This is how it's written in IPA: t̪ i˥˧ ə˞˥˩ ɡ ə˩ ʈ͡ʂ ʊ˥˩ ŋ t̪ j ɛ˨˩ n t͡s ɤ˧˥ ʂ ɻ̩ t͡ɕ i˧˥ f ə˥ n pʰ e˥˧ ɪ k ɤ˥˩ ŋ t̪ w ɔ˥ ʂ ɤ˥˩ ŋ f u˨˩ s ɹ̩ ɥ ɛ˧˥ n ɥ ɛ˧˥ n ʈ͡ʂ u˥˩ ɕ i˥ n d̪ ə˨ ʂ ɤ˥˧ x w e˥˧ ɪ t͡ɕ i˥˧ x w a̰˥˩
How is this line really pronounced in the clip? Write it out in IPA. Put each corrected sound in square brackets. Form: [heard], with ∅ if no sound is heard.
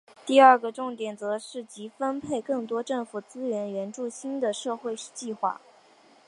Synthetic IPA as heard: t̪ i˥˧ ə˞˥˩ ɡ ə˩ ʈ͡ʂ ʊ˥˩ ŋ t̪ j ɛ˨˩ n t͡s ɤ˧˥ ʂ ɻ̩ t͡ɕ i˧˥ f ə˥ n pʰ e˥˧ ɪ k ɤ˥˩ ŋ t̪ w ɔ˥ [ʈ͡ʂ] ɤ˥˩ ŋ f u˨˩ [t͡s] ɹ̩ ɥ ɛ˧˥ n ɥ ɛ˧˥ n ʈ͡ʂ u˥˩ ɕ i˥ n d̪ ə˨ ʂ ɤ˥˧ x w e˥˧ ɪ t͡ɕ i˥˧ x w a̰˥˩

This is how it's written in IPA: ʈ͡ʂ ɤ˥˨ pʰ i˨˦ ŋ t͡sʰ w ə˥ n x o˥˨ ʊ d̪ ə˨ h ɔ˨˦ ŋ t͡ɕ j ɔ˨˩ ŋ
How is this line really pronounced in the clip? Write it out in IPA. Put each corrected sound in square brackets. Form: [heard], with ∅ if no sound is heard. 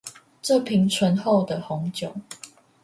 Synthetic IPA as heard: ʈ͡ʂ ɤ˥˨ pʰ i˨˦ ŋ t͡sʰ w [ə˧˦] n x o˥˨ ʊ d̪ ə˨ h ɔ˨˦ ŋ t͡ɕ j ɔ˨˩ ŋ

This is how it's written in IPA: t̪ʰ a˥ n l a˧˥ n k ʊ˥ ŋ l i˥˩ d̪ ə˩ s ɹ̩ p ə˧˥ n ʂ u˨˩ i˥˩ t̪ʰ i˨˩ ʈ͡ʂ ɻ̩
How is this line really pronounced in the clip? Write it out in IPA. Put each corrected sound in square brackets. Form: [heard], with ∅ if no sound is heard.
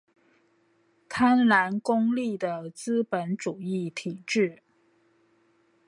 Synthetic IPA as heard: t̪ʰ a˥ n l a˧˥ n k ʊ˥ ŋ l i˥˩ d̪ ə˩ [t͡s] ɹ̩ p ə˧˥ n [ʈ͡ʂ] u˨˩ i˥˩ t̪ʰ i˨˩ ʈ͡ʂ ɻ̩

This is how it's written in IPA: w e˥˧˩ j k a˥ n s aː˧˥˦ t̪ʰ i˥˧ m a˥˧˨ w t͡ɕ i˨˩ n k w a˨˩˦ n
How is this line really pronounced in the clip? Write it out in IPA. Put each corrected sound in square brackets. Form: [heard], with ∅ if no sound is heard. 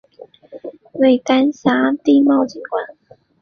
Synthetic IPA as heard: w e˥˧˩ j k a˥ n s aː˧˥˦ [t̪] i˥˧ m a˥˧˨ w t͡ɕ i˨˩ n k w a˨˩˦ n

